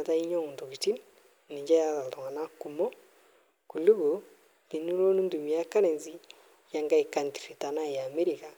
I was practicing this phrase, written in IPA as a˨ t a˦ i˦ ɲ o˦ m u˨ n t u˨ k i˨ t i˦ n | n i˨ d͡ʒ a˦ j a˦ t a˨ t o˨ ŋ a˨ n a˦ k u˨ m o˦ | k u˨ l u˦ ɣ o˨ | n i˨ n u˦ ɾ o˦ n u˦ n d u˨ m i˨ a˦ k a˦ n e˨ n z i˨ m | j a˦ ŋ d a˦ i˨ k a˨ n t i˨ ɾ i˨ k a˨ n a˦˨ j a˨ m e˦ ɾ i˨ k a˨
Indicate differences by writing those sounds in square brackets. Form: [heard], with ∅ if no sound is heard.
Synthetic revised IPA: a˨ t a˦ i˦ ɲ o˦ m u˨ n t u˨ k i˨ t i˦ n | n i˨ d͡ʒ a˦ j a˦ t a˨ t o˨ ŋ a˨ n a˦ k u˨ m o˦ | k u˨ l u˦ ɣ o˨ | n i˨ n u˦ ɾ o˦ n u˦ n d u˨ m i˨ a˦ k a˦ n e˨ n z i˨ [∅] | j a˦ ŋ [ɡ] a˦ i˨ k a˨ n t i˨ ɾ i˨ [t] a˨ n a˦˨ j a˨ m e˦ ɾ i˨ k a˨